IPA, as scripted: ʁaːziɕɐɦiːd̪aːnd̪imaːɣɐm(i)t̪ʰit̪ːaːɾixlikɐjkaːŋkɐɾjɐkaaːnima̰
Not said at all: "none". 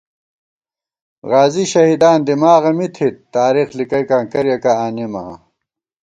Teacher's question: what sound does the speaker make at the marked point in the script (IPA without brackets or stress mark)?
i